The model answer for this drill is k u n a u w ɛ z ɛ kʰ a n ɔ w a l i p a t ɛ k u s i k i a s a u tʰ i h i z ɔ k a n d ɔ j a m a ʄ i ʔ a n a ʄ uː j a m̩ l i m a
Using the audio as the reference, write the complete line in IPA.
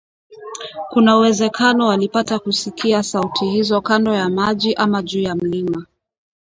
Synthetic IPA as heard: k u n a u w ɛ z ɛ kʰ a n ɔ w a l i p a t a k u s i k i a s a u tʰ i h i z ɔ k a n d ɔ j a m a ʄ i ʔ a m a ʄ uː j a m̩ l i m a